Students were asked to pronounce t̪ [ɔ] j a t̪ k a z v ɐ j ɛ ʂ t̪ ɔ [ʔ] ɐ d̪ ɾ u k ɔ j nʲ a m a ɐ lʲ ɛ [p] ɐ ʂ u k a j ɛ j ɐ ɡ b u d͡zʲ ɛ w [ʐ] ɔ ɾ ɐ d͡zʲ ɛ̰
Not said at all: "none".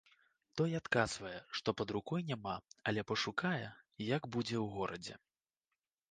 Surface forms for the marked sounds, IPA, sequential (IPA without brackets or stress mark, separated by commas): ɔ, p, p, ɣ